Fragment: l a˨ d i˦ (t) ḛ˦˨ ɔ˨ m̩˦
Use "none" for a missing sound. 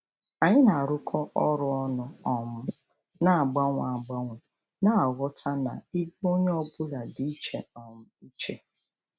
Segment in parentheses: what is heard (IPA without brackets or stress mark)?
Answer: t͡ʃ